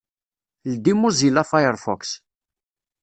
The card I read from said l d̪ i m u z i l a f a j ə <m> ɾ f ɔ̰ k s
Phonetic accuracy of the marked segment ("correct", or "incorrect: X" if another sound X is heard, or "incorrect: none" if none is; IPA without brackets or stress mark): incorrect: none